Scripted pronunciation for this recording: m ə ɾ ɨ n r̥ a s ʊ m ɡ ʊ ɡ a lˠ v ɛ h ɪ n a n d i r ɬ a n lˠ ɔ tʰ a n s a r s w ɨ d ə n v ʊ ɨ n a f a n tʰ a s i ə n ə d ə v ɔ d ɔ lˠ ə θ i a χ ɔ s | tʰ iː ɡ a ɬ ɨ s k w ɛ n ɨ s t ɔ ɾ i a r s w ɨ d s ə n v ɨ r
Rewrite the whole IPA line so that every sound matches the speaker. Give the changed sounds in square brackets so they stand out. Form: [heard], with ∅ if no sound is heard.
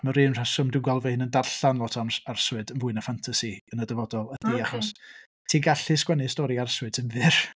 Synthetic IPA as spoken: m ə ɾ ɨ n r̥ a s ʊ m [d] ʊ ɡ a lˠ v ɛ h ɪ n [ə] n d [a] r ɬ a n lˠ ɔ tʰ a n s a r s w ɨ d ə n v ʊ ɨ n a f a n tʰ a s i ə n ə d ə v ɔ d ɔ lˠ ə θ i a χ ɔ s | tʰ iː ɡ a ɬ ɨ s k w ɛ n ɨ s t ɔ ɾ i a r s w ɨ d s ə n v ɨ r